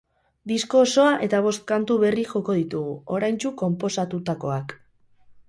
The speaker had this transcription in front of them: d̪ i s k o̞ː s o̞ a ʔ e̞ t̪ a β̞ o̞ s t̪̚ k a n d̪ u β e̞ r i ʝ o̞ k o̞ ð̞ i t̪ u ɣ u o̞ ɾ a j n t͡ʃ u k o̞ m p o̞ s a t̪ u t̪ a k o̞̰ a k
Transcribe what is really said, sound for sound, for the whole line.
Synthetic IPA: d̪ i s k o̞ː s o̞ a ʔ e̞ t̪ a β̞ o̞ s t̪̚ k a n t̪ u β e̞ r i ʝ o̞ k o̞ ð̞ i t̪ u ɣ u o̞ ɾ a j n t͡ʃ u k o̞ m p o̞ s a t̪ u t̪ a k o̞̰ a k